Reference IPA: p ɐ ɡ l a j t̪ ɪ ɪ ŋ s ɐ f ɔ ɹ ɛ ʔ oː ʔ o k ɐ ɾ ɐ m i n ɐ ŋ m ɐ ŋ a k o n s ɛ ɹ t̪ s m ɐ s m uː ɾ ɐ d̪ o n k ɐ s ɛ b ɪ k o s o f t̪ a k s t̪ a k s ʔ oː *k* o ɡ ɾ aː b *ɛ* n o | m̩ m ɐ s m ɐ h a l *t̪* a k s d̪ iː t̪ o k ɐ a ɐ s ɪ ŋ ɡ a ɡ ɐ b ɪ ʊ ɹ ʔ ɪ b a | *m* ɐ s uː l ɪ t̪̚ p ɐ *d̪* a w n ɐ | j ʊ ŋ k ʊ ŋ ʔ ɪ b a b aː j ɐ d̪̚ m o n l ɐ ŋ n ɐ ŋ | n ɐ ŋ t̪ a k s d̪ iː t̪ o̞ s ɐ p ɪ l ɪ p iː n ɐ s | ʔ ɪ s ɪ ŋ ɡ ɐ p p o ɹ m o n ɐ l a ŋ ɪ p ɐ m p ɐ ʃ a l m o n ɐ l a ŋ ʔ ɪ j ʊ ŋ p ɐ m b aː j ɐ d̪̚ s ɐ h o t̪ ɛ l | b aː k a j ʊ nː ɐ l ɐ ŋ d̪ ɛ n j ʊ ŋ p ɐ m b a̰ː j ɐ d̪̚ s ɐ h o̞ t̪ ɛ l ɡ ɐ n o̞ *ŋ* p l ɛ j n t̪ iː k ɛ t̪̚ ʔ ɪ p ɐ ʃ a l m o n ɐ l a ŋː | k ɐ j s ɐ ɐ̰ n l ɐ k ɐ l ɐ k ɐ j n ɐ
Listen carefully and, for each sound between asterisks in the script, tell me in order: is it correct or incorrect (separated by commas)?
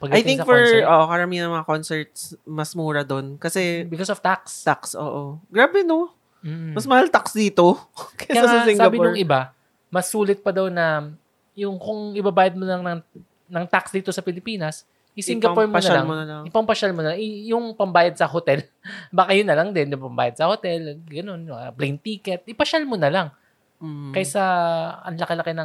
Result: incorrect, correct, correct, correct, correct, incorrect